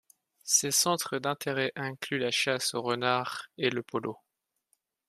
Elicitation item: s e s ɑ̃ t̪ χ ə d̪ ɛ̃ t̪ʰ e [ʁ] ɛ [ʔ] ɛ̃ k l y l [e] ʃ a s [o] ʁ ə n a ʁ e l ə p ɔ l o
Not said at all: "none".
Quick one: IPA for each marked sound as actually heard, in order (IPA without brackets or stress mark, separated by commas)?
ʁ, ʔ, a, o